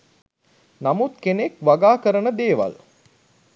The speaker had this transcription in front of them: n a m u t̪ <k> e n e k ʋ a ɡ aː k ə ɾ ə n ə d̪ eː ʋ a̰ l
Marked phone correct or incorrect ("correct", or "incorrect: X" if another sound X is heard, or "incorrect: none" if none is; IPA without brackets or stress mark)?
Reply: correct